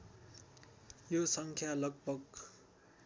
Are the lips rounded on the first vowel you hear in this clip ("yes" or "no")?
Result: yes